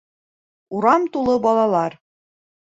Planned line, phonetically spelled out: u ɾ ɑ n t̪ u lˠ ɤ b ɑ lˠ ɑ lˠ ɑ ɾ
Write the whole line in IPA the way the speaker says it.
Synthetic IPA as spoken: u ɾ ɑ m t̪ u lˠ ɤ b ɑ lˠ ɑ lˠ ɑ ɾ